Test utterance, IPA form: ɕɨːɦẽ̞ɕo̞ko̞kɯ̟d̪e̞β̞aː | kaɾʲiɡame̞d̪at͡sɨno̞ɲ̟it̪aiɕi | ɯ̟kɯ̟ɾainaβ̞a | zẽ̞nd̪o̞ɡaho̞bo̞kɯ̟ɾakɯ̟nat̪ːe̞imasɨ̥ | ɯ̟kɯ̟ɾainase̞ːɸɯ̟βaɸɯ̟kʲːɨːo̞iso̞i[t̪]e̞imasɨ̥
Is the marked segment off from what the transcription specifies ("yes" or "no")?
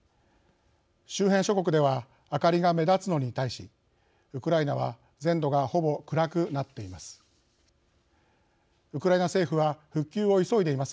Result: yes